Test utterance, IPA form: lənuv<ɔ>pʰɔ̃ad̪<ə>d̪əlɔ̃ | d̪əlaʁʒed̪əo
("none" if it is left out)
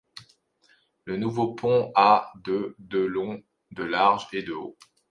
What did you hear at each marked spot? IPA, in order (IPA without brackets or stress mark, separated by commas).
o, ə